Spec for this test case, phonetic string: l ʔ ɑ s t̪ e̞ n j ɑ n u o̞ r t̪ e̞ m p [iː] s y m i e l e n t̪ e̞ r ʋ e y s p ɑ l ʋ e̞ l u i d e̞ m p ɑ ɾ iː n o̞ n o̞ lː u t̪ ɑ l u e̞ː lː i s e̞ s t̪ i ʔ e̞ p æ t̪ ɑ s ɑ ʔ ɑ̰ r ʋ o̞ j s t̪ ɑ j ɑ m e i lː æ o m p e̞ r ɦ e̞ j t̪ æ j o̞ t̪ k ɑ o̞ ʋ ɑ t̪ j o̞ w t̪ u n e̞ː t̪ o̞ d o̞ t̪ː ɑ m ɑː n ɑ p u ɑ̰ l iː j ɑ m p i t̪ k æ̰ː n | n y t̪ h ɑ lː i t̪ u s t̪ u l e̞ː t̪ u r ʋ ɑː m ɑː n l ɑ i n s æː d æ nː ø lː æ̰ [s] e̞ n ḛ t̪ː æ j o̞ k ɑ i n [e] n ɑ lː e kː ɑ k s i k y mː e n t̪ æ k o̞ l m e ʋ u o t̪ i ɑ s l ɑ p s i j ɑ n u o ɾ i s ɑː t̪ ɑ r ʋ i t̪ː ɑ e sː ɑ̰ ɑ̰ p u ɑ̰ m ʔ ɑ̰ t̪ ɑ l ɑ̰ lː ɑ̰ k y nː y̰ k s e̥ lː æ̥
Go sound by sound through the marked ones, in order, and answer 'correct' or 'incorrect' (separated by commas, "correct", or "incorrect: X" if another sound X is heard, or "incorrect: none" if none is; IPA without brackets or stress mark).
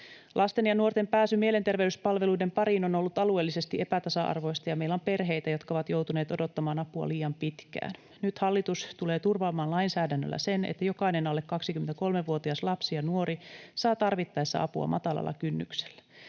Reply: incorrect: æː, correct, correct